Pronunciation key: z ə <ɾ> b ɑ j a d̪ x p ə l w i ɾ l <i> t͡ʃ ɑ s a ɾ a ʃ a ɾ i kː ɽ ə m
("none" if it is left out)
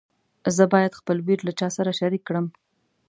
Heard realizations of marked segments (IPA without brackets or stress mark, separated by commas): none, a